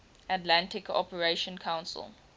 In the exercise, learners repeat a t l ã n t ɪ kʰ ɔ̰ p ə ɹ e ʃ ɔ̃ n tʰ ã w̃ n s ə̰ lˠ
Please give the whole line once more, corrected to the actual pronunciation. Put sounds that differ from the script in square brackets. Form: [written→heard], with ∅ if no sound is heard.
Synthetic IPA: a t l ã n t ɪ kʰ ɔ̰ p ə ɹ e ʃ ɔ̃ n [tʰ→kʰ] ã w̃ n s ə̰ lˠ